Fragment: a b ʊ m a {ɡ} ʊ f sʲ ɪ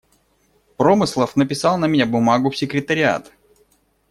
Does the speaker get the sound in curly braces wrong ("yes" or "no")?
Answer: no